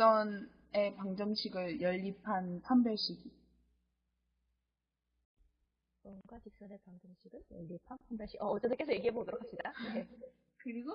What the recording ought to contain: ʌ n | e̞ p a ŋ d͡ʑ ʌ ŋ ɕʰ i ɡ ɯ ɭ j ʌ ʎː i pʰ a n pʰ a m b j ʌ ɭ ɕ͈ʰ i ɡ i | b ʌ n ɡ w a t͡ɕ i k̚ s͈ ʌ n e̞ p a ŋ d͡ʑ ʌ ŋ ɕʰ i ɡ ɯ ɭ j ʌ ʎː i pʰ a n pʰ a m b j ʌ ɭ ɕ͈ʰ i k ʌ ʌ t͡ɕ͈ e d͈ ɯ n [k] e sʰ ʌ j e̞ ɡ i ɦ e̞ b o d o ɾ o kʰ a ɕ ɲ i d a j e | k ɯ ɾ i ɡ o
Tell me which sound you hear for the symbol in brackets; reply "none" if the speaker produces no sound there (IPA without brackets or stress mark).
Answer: k